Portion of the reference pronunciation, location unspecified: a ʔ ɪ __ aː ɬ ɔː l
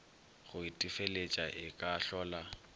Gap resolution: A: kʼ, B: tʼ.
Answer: A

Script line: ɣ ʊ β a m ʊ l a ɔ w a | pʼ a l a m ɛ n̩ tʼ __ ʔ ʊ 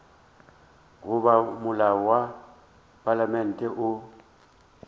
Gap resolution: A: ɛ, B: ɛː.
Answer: A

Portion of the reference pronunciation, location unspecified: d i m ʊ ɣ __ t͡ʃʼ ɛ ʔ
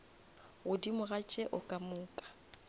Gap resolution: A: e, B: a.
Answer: B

